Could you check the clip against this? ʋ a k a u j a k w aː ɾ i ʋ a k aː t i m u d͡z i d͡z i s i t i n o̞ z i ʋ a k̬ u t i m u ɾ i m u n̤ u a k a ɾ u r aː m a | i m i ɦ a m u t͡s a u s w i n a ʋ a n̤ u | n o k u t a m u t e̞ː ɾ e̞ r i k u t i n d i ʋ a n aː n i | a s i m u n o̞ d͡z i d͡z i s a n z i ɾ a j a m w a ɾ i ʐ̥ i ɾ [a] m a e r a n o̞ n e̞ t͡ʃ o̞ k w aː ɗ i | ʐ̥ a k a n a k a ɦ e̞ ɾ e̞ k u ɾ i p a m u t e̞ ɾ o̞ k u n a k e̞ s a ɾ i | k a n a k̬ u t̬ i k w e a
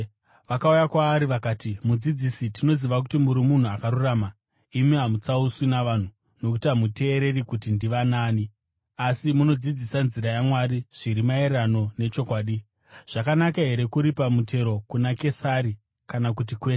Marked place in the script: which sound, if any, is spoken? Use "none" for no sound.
i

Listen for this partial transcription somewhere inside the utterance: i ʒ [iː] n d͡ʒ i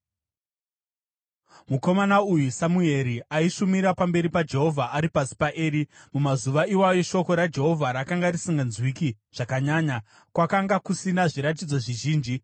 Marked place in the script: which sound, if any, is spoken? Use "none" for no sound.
iː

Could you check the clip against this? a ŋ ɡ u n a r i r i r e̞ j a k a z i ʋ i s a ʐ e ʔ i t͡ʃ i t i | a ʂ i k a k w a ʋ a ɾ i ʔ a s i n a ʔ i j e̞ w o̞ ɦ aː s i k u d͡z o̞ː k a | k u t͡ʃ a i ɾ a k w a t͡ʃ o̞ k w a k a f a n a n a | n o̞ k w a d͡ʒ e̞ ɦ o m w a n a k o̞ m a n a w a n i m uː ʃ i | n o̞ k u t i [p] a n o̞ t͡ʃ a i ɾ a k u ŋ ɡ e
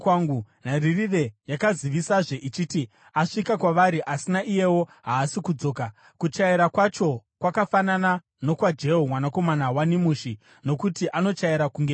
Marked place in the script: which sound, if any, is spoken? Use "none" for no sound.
ʔ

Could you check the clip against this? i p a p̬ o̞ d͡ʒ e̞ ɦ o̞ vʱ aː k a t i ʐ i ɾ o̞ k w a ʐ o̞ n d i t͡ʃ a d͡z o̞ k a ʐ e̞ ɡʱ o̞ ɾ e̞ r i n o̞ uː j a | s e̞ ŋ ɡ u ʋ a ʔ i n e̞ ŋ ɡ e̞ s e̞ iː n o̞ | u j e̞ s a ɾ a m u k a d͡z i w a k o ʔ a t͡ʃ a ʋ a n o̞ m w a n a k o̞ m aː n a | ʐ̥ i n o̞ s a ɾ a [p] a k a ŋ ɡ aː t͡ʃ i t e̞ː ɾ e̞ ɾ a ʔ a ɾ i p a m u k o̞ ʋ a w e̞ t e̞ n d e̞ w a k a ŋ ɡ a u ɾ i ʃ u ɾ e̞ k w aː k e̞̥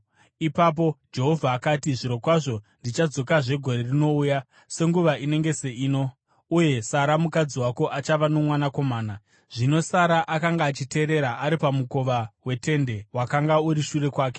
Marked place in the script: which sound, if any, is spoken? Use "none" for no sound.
ʔ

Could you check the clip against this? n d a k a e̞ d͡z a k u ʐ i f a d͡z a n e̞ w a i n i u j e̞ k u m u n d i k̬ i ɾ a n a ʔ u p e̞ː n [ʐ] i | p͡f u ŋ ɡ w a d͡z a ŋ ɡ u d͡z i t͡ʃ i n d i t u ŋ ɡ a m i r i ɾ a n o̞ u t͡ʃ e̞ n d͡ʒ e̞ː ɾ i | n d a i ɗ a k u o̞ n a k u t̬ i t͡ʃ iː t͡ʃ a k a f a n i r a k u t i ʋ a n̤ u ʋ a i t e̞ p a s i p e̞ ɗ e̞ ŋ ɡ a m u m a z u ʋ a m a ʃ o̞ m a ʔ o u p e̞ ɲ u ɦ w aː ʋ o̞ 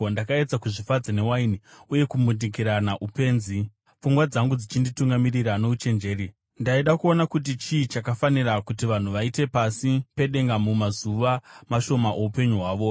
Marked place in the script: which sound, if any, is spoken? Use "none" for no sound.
z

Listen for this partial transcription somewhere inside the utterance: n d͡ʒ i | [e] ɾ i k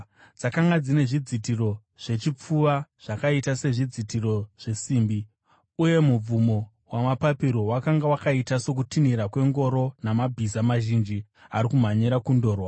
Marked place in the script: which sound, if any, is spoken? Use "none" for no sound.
a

